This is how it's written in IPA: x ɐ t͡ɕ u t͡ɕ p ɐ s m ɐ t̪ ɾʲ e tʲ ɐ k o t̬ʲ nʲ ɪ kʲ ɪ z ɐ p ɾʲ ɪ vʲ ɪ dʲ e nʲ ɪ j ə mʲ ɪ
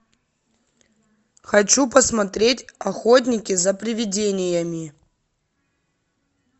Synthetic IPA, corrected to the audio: x ɐ t͡ɕ u p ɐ s m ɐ t̪ ɾʲ e tʲ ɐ x o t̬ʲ nʲ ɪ kʲ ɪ z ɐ p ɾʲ ɪ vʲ ɪ dʲ e nʲ ɪ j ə mʲ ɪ